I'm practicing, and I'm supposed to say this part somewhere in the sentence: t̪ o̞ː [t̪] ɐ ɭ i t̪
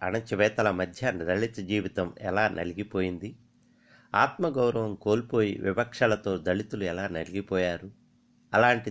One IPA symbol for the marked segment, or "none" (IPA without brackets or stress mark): d̪